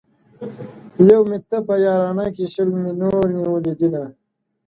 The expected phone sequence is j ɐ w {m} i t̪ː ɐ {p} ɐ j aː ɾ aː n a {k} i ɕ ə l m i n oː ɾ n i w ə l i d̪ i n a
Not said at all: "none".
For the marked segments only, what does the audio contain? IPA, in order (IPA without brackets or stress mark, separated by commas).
m, p, k